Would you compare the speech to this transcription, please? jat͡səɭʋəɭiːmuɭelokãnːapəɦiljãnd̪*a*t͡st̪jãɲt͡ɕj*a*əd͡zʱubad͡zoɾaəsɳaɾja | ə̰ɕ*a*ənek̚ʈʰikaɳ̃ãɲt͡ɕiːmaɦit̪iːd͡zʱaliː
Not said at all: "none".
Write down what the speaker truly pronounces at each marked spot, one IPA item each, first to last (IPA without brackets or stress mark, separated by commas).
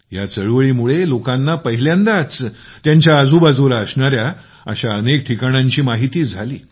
a, a, a